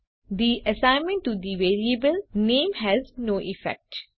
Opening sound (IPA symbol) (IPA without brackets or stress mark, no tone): d̪